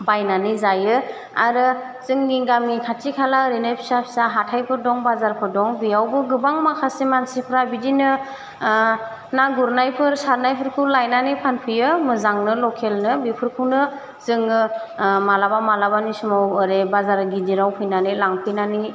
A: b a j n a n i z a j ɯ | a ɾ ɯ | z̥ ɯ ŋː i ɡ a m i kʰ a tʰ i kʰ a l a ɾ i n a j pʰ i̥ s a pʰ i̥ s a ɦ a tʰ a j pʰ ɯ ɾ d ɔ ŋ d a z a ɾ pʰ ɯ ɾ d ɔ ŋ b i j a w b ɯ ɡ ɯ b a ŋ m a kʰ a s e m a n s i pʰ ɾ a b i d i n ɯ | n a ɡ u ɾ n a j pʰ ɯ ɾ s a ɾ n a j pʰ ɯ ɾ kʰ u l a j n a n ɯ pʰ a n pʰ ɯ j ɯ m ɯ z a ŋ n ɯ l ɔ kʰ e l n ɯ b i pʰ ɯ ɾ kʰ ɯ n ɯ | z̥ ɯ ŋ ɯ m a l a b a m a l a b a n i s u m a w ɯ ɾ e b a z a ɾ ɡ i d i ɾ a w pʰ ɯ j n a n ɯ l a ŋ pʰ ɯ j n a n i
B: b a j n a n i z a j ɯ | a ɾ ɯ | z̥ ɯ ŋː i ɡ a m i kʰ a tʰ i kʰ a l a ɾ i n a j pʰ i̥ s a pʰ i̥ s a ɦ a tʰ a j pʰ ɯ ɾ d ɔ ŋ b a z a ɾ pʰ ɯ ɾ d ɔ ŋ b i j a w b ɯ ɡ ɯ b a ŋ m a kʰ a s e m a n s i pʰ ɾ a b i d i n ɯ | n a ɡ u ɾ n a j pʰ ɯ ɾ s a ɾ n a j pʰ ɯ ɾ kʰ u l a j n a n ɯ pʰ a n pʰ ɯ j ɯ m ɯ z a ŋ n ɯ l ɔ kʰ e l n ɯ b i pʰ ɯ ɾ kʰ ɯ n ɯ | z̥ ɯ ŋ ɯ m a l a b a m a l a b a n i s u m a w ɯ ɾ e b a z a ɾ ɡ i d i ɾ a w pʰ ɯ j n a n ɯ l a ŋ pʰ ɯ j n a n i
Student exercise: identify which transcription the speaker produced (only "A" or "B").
B